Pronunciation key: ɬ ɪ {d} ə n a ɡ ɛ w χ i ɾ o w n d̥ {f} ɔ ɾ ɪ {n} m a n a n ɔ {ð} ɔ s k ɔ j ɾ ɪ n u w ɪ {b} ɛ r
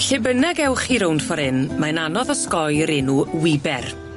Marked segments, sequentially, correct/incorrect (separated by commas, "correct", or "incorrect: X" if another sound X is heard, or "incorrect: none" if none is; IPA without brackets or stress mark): incorrect: b, correct, correct, correct, correct